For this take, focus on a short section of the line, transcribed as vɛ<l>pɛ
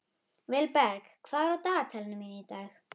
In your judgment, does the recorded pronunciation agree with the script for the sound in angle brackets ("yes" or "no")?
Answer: yes